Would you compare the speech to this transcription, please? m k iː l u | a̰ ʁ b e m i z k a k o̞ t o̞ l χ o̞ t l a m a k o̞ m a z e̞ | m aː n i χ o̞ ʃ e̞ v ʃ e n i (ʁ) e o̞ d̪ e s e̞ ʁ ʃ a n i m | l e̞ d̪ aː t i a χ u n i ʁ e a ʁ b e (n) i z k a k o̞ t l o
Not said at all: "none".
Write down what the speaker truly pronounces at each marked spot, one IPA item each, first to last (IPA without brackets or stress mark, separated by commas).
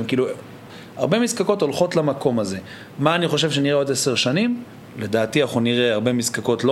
ʁ, m